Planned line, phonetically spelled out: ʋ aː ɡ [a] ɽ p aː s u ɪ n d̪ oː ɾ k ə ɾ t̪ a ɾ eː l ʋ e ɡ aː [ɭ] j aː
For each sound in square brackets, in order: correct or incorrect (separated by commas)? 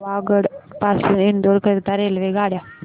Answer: incorrect, incorrect